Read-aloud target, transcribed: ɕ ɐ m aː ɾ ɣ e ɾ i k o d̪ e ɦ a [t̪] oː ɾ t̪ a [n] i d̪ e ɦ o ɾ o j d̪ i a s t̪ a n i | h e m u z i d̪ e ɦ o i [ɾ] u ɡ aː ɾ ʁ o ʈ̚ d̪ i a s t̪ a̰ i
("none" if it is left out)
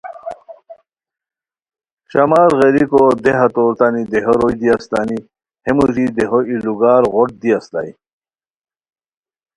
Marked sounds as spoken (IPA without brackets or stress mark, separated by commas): t̪, n, l